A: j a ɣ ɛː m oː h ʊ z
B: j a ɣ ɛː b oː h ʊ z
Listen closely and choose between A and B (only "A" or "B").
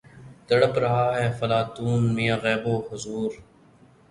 B